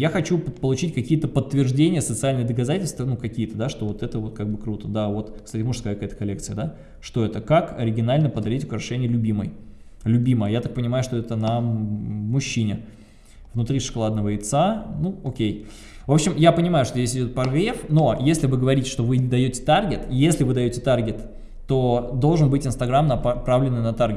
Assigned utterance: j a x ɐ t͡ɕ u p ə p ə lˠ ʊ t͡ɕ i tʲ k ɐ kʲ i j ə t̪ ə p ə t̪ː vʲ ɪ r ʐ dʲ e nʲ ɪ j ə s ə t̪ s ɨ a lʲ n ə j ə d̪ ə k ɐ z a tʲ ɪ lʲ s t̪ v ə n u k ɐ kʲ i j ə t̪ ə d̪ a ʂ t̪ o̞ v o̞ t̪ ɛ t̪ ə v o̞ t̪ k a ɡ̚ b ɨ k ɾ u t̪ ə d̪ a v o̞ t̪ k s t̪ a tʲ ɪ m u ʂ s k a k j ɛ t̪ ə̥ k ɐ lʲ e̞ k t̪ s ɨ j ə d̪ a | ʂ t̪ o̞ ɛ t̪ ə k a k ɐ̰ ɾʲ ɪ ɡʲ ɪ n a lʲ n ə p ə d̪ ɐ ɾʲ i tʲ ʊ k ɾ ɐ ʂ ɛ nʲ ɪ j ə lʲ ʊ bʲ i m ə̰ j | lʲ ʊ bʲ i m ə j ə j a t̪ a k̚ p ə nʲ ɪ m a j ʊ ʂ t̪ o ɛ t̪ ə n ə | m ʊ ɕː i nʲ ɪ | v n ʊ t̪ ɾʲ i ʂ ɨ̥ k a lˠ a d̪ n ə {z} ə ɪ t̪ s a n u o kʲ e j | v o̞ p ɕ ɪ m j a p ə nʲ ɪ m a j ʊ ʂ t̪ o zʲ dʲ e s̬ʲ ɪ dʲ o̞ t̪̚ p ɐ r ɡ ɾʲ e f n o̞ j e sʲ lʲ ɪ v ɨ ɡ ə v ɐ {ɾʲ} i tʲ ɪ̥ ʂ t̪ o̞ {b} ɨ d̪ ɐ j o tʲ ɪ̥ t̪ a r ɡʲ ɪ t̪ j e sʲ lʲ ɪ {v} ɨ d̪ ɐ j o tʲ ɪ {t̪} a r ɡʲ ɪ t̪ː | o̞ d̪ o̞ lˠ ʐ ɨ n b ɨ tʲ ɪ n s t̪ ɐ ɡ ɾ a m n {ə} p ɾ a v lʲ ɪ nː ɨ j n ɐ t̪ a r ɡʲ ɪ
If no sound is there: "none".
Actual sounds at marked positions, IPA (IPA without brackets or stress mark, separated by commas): v, ɾʲ, v, v, t̪, ɐ